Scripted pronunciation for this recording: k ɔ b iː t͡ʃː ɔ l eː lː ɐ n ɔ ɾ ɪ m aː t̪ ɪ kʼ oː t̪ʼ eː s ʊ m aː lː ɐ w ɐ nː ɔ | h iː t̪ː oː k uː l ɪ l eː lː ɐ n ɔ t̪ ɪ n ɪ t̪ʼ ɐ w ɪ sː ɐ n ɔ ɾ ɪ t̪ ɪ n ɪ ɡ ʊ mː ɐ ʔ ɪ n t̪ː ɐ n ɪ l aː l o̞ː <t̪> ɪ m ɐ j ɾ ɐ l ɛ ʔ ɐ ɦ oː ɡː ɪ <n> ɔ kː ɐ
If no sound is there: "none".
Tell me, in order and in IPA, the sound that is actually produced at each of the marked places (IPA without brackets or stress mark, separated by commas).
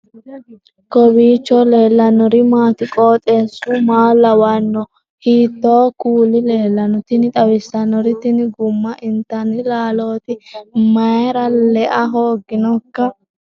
t̪, n